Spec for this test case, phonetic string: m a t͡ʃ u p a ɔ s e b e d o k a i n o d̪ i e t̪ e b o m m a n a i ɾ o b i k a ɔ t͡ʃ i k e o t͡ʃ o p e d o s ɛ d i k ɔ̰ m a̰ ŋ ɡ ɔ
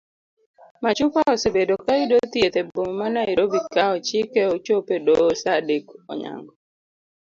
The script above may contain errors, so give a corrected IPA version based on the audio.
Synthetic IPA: m a t͡ʃ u p a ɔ s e b e d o k a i d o t̪ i e t̪ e b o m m a n a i ɾ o b i k a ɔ t͡ʃ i k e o t͡ʃ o p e d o s a d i k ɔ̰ ɲ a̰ ŋ ɡ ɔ

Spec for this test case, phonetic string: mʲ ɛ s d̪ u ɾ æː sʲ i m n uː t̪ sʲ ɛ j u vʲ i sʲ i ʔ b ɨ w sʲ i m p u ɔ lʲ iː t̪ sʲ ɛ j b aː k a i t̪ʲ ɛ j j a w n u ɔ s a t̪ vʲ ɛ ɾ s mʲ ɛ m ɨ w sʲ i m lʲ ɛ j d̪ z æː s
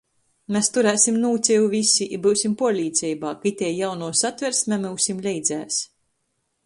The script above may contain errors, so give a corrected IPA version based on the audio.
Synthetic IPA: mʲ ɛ s t̪ u ɾ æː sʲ i m n uː t̪ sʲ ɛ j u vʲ i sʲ i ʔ b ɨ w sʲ i m p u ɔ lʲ iː t̪ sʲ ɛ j b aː k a i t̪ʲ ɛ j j a w n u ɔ s a t̪ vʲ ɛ ɾ s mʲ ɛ m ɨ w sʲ i m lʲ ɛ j d̪ z æː s

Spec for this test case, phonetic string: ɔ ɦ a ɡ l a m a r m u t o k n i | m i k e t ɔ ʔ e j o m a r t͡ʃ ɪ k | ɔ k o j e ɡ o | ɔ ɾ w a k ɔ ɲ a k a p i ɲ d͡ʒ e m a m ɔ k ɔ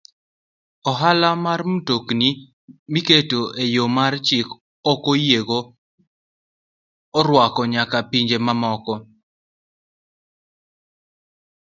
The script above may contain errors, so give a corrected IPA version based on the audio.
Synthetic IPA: ɔ ɦ a l a m a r m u t o k n i | m i k e t o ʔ e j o m a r t͡ʃ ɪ k | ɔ k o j e ɡ o | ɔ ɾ w a k ɔ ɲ a k a p i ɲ d͡ʒ e m a m ɔ k ɔ

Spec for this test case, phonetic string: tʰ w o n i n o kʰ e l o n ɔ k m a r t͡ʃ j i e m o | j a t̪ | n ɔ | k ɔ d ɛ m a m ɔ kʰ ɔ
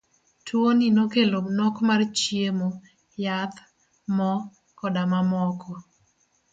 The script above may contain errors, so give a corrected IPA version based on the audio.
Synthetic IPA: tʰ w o n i n o k e l o n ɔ k m a r t͡ʃ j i e m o | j a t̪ | m ɔ | k ɔ d a m a m ɔ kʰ ɔ

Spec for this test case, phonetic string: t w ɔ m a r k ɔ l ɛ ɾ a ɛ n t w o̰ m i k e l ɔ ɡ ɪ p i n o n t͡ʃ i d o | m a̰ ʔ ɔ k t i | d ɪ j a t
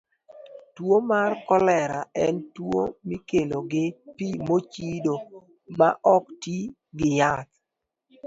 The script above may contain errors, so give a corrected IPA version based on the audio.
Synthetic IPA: t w o m a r k ɔ l ɛ ɾ a ɛ n t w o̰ m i k e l o ɡ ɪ p i m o t͡ʃ i d o | m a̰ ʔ ɔ k t i | ɡ ɪ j a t

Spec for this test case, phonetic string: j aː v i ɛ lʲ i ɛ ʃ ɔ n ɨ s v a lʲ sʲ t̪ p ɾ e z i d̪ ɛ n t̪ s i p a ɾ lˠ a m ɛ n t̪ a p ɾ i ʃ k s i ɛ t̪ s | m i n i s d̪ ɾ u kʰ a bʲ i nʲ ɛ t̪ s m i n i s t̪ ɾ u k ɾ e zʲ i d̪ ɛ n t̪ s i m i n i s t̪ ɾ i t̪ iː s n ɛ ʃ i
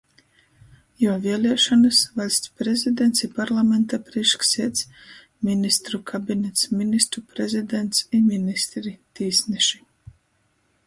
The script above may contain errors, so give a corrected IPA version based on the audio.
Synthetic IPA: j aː v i ɛ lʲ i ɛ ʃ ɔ n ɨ s v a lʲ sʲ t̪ p ɾ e z i d̪ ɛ n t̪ s i p a ɾ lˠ a m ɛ n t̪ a p ɾ i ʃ k s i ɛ t̪ s | m i n i s t̪ ɾ u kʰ a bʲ i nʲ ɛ t̪ s m i n i s t̪ ɾ u p ɾ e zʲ i d̪ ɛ n t̪ s i m i n i s t̪ ɾ i t̪ iː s n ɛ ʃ i

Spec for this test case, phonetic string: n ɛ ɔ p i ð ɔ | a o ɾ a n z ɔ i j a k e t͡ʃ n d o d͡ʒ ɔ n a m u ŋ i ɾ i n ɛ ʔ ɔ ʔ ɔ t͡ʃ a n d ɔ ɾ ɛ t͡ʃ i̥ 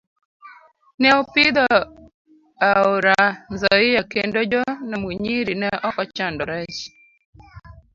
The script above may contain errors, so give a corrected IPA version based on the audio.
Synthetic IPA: n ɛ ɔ p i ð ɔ | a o ɾ a n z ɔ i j a k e n d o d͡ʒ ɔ n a m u ɲ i ɾ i n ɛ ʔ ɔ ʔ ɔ t͡ʃ a n d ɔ ɾ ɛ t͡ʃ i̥

